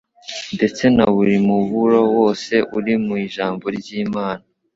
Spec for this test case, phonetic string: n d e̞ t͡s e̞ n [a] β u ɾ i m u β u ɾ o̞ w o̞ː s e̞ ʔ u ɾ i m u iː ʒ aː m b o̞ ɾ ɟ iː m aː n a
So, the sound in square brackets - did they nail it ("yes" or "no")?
yes